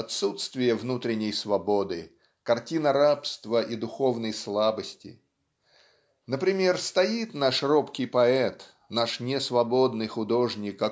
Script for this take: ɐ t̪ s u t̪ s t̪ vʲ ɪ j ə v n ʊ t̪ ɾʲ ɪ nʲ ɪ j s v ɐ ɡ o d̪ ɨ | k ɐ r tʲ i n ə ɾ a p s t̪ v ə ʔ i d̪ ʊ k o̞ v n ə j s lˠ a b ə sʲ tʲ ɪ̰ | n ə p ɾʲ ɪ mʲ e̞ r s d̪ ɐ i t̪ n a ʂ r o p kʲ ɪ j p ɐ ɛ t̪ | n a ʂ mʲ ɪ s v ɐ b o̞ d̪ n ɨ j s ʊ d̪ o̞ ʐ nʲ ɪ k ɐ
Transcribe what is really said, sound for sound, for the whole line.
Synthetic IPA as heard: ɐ t̪ s u t̪ s t̪ vʲ ɪ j ə v n u t̪ ɾʲ ɪ nʲ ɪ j s v ɐ b o d̪ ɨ | k ɐ r tʲ i n ə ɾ a p s t̪ v ə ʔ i d̪ ʊ x o̞ v n ə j s lˠ a b ə sʲ tʲ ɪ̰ | n ə p ɾʲ ɪ mʲ e̞ r s t̪ ɐ i t̪ n a ʂ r o p kʲ ɪ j p ɐ ɛ t̪ | n a ʂ nʲ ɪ s v ɐ b o̞ d̪ n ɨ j x ʊ d̪ o̞ ʐ nʲ ɪ k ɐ